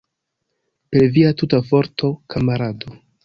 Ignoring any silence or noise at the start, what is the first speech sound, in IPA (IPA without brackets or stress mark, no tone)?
p